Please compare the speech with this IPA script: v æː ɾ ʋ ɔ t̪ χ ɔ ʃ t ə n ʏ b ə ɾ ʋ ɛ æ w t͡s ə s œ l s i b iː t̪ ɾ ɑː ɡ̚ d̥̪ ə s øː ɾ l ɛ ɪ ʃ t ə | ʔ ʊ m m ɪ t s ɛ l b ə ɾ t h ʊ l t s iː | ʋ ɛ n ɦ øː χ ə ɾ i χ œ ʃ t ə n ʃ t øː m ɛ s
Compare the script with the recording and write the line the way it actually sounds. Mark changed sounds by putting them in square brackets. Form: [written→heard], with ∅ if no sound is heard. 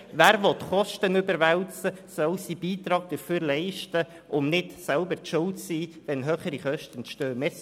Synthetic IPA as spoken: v æː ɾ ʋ ɔ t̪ χ ɔ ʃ t ə n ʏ b ə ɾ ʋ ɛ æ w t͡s ə s œ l s i b iː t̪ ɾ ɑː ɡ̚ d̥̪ ə [s→f] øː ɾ l ɛ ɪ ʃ t ə | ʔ ʊ m [m→n] ɪ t s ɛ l b ə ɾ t [h→ʃ] ʊ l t s iː | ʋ ɛ n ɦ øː χ ə ɾ i χ œ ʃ t ə n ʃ t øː m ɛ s